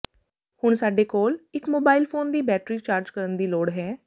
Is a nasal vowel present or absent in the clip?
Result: absent